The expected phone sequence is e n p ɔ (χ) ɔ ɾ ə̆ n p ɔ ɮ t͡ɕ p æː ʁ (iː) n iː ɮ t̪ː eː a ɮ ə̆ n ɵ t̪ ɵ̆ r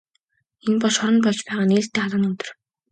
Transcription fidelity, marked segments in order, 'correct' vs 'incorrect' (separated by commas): incorrect, incorrect